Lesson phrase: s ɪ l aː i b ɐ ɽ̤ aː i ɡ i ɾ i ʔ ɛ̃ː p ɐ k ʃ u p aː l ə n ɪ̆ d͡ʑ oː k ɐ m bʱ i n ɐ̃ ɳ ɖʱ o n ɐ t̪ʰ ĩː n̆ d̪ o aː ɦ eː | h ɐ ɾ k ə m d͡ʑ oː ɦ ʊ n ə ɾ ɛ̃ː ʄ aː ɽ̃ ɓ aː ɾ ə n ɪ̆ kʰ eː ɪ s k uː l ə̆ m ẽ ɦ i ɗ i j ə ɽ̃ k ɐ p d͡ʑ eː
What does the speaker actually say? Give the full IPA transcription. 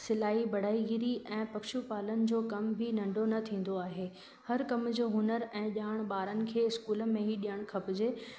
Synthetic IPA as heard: s ɪ l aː i b ɐ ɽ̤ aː i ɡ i ɾ i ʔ ɛ̃ː p ɐ k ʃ u p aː l ə n ɪ̆ d͡ʑ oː k ɐ m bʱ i n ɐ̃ ɳ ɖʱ o n ɐ t̪ʰ ĩː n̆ d̪ o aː ɦ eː | h ɐ ɾ k ɐ m d͡ʑ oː ɦ ʊ n ə ɾ ɛ̃ː ʄ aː ɽ̃ ɓ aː ɾ ə n ɪ̆ kʰ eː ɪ s k uː l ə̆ m ẽ ɦ i ɗ i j ə ɽ̃ kʰ ɐ p d͡ʑ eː